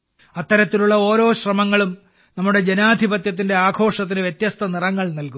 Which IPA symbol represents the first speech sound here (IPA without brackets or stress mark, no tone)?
ɐ